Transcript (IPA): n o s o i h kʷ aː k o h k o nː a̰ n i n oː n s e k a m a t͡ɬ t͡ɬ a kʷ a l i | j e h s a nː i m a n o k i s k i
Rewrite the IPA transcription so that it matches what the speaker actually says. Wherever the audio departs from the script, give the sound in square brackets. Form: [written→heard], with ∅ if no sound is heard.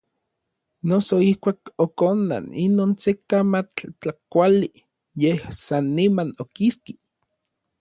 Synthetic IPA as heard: n o s o i h kʷ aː k o [h→∅] k o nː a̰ n i n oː n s e k a m a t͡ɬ t͡ɬ a kʷ a l i | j e h s a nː i m a n o k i s k i